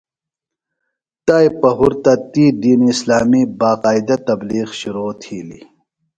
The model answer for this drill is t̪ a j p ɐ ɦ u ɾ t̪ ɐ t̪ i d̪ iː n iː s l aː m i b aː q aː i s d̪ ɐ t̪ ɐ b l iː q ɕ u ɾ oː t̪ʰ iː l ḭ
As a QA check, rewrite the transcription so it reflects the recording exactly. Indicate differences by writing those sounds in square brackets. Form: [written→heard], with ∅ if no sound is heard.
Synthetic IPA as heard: t̪ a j p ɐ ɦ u ɾ t̪ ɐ t̪ i d̪ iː n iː s l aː m i b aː q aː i [s→∅] d̪ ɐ t̪ ɐ b l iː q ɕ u ɾ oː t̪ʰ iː l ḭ